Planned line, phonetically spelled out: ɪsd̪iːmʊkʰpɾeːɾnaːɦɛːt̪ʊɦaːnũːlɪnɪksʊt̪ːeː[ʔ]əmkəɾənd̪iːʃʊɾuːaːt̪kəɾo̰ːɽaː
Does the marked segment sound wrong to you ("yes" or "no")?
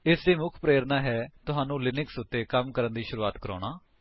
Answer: yes